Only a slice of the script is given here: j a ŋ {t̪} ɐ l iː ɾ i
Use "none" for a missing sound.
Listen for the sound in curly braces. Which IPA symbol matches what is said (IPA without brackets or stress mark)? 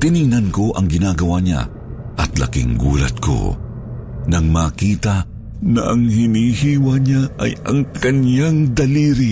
d̪